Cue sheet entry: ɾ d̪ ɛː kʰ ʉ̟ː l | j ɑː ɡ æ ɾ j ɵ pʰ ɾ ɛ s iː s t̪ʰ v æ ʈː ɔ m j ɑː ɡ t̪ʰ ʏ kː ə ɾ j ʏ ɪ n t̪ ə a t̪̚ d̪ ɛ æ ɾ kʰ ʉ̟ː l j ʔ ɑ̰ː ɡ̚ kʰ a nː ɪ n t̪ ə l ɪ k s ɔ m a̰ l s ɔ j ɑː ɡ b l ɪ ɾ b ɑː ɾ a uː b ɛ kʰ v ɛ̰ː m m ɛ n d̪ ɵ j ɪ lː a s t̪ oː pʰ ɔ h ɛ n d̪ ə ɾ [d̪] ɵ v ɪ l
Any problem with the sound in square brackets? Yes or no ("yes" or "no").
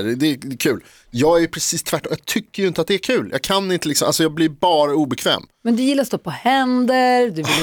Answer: no